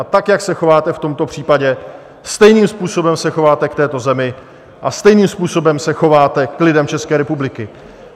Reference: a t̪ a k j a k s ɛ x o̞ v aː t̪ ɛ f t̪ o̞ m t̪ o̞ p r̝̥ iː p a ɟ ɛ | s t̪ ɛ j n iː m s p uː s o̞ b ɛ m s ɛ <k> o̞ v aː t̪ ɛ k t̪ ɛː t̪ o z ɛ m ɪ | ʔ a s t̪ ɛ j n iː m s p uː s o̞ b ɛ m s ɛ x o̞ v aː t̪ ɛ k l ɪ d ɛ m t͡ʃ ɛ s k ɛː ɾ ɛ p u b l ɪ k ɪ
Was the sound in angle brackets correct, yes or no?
no